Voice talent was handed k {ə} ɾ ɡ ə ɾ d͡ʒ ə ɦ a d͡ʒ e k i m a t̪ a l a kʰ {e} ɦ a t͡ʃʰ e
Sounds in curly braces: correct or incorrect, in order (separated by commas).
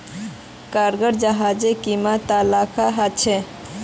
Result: incorrect, incorrect